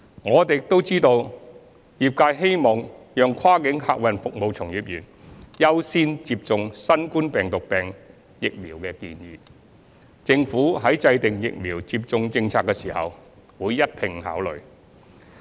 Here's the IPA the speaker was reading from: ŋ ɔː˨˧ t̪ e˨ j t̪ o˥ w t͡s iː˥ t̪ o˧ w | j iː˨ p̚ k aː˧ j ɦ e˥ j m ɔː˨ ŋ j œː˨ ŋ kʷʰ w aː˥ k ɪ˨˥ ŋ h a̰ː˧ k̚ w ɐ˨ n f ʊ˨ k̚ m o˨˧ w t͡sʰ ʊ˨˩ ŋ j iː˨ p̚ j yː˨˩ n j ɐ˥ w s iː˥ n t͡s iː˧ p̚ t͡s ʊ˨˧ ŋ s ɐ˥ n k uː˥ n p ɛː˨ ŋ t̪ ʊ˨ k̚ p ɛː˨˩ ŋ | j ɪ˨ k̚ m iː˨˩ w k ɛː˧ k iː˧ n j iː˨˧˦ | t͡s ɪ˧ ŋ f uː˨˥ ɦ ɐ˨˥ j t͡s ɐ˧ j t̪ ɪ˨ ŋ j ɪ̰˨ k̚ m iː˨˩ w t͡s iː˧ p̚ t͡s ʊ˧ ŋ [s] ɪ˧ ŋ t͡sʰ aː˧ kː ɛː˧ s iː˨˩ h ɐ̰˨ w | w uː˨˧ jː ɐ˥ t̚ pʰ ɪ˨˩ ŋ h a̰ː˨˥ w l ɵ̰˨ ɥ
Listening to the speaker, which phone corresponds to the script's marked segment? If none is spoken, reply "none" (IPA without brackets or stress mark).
t͡s